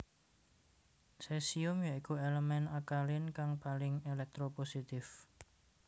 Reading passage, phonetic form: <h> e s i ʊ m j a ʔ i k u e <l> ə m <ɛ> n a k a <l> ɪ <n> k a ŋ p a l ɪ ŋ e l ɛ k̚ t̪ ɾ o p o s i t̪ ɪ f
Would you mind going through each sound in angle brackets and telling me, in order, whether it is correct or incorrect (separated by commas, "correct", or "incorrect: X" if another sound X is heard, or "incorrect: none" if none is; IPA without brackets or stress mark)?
incorrect: s, correct, correct, correct, correct